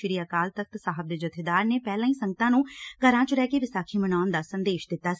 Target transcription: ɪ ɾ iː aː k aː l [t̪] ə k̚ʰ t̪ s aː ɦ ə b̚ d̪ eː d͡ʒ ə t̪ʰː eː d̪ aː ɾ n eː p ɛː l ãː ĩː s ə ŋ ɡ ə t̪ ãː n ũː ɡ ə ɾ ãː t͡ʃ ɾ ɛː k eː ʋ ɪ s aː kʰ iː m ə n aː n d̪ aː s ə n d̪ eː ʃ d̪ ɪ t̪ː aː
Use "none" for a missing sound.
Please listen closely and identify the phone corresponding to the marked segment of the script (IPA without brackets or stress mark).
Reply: t̪